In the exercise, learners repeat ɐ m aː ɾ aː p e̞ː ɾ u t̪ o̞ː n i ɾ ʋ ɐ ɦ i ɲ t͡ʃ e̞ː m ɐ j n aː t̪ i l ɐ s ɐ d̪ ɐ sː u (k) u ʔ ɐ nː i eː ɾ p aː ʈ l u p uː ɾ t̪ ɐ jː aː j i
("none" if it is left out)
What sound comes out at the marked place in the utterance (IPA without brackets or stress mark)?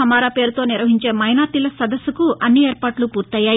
k